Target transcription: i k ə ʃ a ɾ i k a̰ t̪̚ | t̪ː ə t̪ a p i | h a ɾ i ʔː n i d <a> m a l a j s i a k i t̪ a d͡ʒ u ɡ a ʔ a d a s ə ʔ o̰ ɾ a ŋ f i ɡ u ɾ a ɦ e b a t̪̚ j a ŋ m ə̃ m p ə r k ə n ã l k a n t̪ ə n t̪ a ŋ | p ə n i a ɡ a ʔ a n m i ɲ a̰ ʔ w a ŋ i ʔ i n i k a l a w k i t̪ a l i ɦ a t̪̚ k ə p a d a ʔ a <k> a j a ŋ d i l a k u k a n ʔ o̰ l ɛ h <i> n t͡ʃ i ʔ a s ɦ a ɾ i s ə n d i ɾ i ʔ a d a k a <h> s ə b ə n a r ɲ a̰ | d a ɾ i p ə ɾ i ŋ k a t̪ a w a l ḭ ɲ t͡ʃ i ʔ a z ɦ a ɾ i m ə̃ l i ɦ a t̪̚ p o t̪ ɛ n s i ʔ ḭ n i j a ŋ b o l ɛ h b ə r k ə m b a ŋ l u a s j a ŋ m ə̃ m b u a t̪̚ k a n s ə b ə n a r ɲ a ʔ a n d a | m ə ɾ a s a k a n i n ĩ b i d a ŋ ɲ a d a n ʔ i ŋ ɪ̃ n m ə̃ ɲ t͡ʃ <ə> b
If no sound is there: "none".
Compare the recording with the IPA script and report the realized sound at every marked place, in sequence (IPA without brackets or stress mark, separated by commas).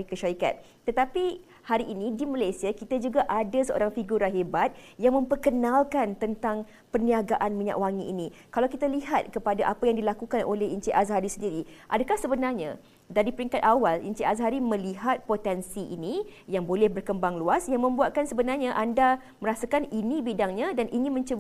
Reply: i, p, i, h, ə